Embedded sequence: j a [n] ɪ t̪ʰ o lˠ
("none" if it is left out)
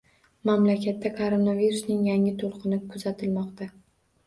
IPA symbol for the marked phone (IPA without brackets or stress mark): ŋ